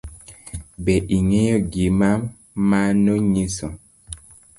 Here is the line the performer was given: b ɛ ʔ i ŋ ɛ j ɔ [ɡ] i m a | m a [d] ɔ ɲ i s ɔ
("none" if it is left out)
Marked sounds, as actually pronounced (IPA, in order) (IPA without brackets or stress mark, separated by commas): ɡ, n